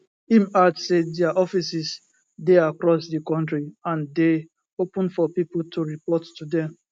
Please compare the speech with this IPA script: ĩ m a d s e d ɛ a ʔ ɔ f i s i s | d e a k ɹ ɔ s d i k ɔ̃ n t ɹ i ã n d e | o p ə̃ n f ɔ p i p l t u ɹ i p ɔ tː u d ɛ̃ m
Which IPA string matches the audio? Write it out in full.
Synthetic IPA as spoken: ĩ m a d s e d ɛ a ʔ ɔ f i s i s | d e a k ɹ ɔ s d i k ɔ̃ n t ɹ i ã n d e | o p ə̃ n f ɔ p i p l t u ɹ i p ɔ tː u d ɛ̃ m